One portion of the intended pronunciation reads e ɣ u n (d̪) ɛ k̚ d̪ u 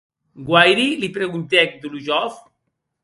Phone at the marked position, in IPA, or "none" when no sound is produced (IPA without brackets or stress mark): t̪